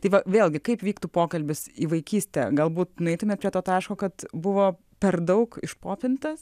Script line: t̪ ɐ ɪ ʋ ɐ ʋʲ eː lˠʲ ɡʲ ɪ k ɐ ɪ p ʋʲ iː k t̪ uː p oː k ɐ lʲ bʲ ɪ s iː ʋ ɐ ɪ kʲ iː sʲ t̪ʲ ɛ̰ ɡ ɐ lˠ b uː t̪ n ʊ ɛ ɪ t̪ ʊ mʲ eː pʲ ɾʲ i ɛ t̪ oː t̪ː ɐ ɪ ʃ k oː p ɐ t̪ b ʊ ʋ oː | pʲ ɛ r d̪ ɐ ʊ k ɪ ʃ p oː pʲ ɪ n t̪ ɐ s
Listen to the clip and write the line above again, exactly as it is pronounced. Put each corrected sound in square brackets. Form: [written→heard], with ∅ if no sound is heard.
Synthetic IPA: t̪ ɐ ɪ ʋ ɐ ʋʲ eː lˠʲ ɡʲ ɪ k ɐ ɪ p ʋʲ iː k t̪ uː p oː k ɐ lʲ bʲ ɪ s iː ʋ ɐ ɪ kʲ iː sʲ t̪ʲ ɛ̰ ɡ ɐ lˠ b uː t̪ n ʊ ɛ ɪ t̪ ʊ mʲ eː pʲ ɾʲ i ɛ t̪ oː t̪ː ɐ ɪ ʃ k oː [p→k] ɐ t̪ b ʊ ʋ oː | pʲ ɛ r d̪ ɐ ʊ k ɪ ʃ p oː pʲ ɪ n t̪ ɐ s